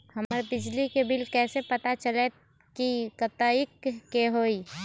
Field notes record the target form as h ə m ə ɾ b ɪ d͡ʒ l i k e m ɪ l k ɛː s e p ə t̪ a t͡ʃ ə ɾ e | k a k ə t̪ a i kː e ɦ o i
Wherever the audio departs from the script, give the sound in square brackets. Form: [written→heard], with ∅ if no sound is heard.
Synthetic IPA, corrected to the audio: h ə m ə ɾ b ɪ d͡ʒ l i k e [m→b] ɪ l k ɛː s e p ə t̪ a t͡ʃ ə [ɾ→l] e | k [a→i] k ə t̪ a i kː e ɦ o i